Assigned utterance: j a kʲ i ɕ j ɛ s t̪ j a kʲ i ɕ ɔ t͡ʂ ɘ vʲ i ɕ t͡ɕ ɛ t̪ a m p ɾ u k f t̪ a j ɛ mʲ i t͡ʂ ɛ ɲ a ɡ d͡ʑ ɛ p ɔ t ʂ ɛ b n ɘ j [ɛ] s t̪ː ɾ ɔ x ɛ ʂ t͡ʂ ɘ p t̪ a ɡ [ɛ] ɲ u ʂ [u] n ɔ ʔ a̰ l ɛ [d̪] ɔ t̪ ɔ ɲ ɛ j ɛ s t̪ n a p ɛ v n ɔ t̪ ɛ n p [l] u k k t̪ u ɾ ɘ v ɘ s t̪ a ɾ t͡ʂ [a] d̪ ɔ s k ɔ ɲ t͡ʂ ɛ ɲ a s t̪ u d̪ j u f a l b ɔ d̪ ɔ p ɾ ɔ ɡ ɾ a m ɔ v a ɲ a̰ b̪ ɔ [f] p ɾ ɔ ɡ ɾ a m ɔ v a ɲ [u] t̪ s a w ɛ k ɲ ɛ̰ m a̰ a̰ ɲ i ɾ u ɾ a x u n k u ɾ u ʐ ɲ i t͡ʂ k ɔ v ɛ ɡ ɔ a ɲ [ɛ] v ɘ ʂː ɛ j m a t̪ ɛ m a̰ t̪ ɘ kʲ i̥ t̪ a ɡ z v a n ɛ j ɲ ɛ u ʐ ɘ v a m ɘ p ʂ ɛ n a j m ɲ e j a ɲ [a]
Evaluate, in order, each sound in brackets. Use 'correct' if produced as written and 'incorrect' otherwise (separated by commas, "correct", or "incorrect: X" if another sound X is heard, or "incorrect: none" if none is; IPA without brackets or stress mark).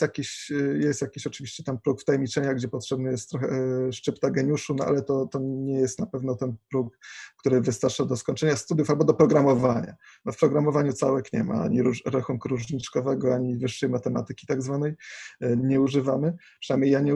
correct, correct, correct, incorrect: t̪, incorrect: ɾ, correct, correct, correct, incorrect: i, incorrect: ɛ